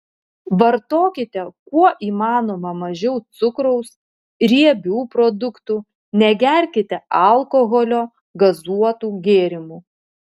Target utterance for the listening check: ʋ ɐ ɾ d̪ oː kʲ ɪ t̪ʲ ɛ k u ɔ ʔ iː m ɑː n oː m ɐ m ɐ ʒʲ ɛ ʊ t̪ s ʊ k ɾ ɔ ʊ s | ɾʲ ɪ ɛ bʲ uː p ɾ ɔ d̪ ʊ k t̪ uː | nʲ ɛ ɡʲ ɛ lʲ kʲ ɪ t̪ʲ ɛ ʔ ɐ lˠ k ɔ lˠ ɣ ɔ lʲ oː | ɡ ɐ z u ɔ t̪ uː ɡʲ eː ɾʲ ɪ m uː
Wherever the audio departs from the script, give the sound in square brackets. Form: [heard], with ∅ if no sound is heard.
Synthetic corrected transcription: ʋ ɐ ɾ [t̪] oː kʲ ɪ t̪ʲ ɛ k u ɔ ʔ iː m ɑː n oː m ɐ m ɐ ʒʲ ɛ ʊ t̪ s ʊ k ɾ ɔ ʊ s | ɾʲ [i] ɛ bʲ uː p ɾ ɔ d̪ ʊ k t̪ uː | nʲ ɛ ɡʲ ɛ [ɾʲ] kʲ ɪ t̪ʲ ɛ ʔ ɐ lˠ k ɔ [∅] ɣ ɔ lʲ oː | ɡ ɐ z u ɔ t̪ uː ɡʲ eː ɾʲ ɪ m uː